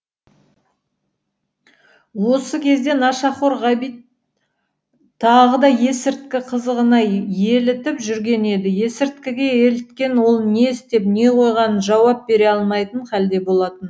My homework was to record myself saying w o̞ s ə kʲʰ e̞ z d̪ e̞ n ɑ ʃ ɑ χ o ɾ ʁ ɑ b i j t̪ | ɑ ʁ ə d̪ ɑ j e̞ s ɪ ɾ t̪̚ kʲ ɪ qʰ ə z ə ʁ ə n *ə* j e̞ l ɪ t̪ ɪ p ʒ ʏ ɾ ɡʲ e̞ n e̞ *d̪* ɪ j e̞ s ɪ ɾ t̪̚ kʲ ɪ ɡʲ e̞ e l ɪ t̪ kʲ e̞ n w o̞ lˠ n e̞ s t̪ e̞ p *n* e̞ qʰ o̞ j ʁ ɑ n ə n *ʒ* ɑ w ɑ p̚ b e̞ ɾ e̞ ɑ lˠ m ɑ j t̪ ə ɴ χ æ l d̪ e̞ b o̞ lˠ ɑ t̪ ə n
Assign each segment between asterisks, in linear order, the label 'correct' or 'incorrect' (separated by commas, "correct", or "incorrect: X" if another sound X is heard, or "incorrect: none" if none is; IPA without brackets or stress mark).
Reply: incorrect: ɑ, correct, correct, correct